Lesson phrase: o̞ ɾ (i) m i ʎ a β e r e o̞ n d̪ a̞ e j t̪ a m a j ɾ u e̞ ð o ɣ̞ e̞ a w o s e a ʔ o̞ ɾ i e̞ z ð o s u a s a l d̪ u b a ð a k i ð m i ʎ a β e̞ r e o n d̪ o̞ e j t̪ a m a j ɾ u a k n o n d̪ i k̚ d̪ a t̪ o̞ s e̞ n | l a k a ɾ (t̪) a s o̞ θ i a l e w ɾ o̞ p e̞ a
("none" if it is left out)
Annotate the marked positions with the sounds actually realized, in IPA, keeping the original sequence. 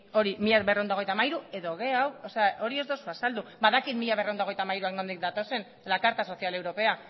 i, t̪

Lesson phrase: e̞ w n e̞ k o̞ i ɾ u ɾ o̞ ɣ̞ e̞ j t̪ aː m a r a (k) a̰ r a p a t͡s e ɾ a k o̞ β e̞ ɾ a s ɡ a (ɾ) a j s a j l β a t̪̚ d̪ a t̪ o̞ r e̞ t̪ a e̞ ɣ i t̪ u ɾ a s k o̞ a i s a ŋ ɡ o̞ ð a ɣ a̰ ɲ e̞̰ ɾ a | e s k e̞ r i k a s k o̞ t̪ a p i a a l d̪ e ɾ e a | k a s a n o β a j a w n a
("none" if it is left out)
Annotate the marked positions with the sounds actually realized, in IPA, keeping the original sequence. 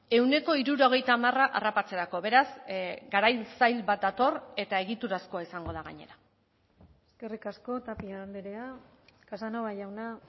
ʔ, ɾ

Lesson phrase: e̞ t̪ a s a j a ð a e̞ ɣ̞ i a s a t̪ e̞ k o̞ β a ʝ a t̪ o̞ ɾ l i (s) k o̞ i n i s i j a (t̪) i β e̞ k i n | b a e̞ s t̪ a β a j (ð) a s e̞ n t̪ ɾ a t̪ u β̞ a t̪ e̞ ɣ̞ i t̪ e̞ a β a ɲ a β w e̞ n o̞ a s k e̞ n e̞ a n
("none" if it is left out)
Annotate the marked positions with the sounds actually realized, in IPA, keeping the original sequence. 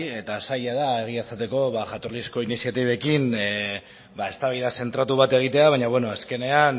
s, t̪, ð

